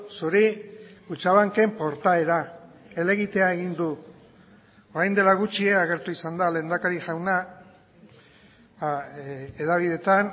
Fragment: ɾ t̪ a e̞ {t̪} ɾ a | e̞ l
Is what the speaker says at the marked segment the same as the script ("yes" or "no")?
no